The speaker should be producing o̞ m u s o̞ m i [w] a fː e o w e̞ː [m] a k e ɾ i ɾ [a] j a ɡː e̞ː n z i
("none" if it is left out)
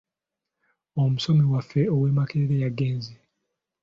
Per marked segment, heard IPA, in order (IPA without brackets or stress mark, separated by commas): w, m, e